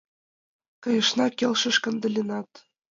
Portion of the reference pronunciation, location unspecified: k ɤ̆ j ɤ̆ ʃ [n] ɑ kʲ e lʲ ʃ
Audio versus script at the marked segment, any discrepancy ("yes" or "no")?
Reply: no